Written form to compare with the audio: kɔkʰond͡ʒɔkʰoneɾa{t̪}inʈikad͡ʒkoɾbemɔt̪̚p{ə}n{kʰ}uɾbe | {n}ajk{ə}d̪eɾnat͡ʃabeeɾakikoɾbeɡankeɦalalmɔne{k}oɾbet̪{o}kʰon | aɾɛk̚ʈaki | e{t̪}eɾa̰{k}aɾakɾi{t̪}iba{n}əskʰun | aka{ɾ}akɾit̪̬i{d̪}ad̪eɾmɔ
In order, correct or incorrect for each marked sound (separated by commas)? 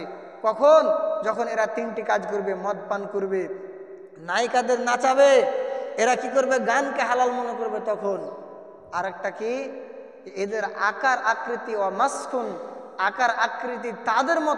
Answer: correct, incorrect, incorrect, correct, incorrect, correct, incorrect, incorrect, correct, correct, incorrect, correct, incorrect